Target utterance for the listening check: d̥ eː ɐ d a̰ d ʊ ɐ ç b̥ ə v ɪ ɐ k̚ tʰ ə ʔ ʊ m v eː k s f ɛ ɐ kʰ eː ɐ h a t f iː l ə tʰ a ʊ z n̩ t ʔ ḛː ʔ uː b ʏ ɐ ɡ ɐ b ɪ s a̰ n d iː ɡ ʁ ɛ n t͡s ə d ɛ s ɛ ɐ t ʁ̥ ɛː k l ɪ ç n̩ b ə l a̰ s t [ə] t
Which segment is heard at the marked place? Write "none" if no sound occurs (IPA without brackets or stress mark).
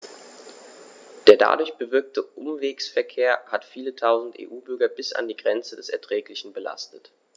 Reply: ə